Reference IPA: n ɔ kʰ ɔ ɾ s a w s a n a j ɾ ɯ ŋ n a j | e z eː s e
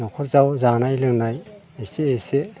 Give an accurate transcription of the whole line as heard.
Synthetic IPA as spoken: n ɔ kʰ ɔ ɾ z a w z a n a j l ɯ ŋ n a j | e s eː s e